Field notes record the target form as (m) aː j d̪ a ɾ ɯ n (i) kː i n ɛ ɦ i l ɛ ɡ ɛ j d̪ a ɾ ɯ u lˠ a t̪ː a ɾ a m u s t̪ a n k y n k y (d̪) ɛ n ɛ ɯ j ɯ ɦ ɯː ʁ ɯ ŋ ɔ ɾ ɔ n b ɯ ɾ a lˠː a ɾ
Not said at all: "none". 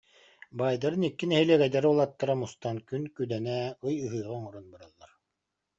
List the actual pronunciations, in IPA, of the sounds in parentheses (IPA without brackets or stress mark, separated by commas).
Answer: b, i, d̪